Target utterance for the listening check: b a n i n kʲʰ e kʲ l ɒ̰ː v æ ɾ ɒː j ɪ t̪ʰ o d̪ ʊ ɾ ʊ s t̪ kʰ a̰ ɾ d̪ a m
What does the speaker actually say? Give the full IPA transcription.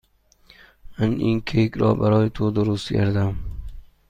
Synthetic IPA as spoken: m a n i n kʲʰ e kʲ ɾ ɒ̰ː b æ ɾ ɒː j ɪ t̪ʰ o d̪ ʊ ɾ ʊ s t̪ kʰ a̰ ɾ d̪ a m